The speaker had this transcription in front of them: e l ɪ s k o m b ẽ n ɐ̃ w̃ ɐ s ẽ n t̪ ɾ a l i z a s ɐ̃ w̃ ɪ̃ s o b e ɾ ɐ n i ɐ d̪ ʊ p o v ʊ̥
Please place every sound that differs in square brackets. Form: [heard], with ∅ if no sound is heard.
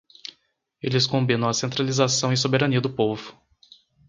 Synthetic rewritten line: e l ɪ s k [õ] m b [ĩ] n ɐ̃ w̃ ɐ s ẽ n t̪ ɾ a l i z a s ɐ̃ w̃ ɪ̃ s o b e ɾ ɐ n i ɐ d̪ ʊ p o v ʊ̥

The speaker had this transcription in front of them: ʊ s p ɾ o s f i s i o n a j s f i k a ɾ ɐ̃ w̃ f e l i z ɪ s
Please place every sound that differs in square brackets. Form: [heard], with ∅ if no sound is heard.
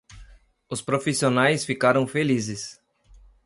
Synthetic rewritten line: ʊ s p ɾ o [∅] f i s i o n a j s f i k a ɾ ɐ̃ w̃ f e l i z ɪ s

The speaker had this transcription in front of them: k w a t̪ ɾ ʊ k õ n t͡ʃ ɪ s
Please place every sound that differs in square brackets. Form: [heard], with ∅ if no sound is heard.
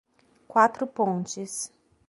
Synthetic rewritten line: k w a t̪ ɾ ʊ [p] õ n t͡ʃ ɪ s

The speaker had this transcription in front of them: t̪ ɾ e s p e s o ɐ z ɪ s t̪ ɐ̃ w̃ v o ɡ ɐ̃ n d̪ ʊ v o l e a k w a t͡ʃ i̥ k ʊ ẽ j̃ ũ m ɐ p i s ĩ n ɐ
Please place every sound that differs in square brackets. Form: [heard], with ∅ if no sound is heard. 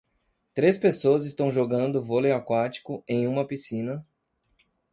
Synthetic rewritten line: t̪ ɾ e s p e s o ɐ z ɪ s t̪ ɐ̃ w̃ [ʒ] o ɡ ɐ̃ n d̪ ʊ v o l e a k w a t͡ʃ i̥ k ʊ ẽ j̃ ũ m ɐ p i s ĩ n ɐ

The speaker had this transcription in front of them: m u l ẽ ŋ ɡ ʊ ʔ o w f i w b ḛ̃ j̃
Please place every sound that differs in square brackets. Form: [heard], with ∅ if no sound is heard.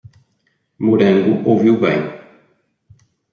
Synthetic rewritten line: m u [ɾ] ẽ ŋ ɡ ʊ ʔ o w [v] i w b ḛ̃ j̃

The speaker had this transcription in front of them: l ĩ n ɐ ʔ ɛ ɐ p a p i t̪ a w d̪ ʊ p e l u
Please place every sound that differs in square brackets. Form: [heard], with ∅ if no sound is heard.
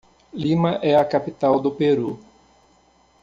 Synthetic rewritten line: l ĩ [m] ɐ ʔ ɛ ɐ [k] a p i t̪ a w d̪ ʊ p e [ɾ] u

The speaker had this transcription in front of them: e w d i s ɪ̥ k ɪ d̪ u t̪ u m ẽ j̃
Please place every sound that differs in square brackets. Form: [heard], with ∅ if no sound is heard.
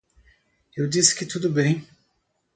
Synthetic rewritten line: e w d i s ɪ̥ k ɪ [t̪] u [d̪] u [b] ẽ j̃

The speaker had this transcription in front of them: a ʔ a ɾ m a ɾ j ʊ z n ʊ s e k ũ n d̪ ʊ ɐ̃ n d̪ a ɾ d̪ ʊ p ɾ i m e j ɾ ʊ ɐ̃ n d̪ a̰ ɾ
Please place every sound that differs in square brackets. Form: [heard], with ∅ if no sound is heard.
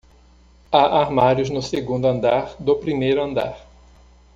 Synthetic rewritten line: a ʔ a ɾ m a ɾ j ʊ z n ʊ s e [ɡ] ũ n d̪ ʊ ɐ̃ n d̪ a ɾ d̪ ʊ p ɾ i m e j ɾ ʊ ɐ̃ n d̪ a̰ ɾ

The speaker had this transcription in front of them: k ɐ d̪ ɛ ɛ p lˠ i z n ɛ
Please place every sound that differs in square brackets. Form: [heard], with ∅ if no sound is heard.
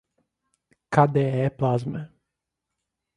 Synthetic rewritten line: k [a] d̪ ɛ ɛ p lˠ [a] z [m] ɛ

